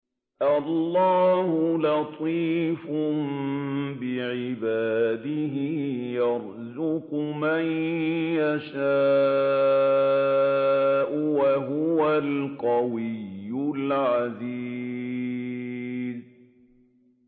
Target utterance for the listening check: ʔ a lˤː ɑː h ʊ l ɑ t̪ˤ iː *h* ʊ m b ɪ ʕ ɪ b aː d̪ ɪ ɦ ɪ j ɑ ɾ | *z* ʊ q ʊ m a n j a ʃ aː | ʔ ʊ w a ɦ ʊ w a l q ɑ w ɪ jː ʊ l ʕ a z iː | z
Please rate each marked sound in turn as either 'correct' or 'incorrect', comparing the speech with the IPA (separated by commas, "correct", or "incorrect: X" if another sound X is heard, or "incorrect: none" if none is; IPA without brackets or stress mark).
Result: incorrect: f, correct